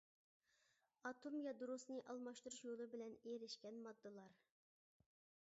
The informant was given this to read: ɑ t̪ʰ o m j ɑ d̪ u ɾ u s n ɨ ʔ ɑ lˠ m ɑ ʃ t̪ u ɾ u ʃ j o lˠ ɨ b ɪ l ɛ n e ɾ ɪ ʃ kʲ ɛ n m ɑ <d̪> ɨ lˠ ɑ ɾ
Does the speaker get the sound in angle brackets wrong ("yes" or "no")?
yes